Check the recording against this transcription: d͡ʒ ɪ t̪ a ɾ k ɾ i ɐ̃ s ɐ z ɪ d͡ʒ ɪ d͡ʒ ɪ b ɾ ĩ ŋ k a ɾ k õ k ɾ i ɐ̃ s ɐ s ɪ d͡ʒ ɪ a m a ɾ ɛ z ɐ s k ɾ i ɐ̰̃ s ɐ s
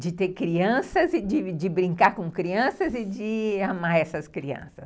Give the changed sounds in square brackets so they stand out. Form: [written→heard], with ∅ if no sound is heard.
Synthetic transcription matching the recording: d͡ʒ ɪ t̪ [a→e] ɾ k ɾ i ɐ̃ s ɐ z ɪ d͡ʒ ɪ d͡ʒ ɪ b ɾ ĩ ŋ k a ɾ k õ k ɾ i ɐ̃ s ɐ [s→z] ɪ d͡ʒ ɪ a m a ɾ ɛ [z→s] ɐ s k ɾ i ɐ̰̃ s ɐ s